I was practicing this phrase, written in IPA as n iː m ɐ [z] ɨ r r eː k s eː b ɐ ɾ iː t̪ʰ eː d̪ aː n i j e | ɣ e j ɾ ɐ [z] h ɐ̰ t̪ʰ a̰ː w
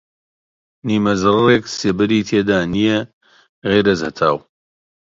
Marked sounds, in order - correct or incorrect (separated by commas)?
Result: correct, correct